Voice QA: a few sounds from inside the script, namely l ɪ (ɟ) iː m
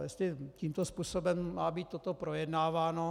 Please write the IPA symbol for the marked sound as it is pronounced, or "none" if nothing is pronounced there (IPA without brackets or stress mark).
c